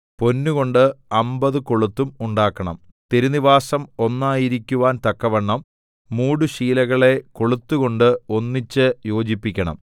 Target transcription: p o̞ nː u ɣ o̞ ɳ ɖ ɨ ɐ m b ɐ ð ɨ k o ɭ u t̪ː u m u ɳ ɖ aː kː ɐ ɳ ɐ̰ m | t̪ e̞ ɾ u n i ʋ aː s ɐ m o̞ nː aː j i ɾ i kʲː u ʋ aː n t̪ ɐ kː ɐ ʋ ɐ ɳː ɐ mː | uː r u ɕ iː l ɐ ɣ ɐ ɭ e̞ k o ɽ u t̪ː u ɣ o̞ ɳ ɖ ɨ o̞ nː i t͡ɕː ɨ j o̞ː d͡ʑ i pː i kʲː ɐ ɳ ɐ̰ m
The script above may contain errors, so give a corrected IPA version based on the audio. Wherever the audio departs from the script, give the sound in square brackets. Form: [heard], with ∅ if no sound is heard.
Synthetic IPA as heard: p o̞ nː u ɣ o̞ ɳ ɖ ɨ ɐ m b ɐ ð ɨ k o ɭ u t̪ː u m u ɳ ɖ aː kː ɐ ɳ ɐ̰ m | t̪ e̞ ɾ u n i ʋ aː s ɐ m o̞ nː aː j i ɾ i kʲː u ʋ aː n t̪ ɐ kː ɐ ʋ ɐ ɳː ɐ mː | uː [ɽ] u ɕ iː l ɐ ɣ ɐ ɭ e̞ k o [ɭ] u t̪ː u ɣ o̞ ɳ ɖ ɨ o̞ nː i t͡ɕː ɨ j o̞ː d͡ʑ i pː i kʲː ɐ ɳ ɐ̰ m